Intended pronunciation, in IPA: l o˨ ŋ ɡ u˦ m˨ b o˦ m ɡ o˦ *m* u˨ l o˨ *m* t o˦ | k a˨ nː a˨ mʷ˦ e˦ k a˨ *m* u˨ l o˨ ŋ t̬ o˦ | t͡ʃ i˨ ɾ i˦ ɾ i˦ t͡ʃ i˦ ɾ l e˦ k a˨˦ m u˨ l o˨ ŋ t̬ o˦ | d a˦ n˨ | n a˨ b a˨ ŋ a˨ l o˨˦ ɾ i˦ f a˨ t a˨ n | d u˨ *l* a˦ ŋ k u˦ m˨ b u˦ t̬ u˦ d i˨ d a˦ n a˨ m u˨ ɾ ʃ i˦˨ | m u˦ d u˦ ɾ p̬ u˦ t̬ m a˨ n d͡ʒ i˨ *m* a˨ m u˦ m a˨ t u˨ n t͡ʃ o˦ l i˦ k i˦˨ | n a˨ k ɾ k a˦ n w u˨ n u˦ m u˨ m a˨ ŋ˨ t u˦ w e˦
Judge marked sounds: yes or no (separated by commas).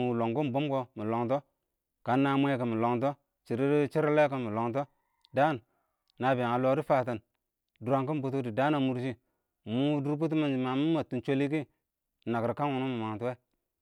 yes, no, yes, no, yes